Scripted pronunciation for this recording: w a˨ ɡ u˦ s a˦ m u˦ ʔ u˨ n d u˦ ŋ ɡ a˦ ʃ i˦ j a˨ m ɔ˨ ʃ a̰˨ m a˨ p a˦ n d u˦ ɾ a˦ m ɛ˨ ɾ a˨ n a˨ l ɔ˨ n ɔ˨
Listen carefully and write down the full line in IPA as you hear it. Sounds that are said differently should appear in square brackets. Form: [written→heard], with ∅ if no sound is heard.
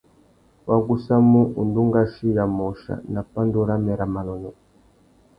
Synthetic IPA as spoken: w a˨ ɡ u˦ s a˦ m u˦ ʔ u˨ n d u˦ ŋ ɡ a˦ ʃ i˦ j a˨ m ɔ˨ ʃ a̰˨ [m→n] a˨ p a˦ n d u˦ ɾ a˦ m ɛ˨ ɾ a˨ [n→m] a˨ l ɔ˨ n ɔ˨